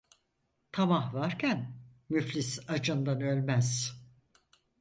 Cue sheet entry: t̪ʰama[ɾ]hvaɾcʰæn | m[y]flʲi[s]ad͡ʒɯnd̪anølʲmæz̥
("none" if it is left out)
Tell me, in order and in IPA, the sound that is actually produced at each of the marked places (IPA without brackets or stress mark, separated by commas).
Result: none, y, s